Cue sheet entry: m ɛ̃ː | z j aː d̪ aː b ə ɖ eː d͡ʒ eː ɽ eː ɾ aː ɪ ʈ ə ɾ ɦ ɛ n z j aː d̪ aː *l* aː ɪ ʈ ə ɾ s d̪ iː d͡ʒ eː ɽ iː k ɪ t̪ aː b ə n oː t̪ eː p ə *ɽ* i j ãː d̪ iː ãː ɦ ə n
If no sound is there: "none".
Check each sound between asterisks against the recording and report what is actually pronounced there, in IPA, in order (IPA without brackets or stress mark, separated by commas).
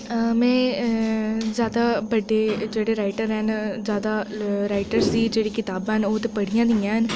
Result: ɾ, ɽ